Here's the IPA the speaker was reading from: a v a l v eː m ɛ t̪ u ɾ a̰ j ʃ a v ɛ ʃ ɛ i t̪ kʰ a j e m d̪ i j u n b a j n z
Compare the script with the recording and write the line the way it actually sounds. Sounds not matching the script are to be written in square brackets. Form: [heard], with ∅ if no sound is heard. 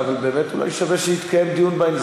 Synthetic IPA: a v a l [b] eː m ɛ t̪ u [l] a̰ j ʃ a v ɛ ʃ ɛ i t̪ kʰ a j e m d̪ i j u n b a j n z